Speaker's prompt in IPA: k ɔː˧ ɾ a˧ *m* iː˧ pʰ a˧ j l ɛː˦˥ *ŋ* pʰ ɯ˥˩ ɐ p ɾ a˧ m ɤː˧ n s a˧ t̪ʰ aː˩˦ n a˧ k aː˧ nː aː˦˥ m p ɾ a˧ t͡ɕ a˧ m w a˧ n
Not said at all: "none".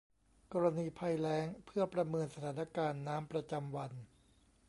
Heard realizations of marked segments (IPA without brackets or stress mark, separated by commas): n, ŋ